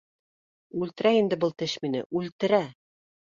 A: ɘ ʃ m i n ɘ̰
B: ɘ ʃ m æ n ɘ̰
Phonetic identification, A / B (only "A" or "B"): A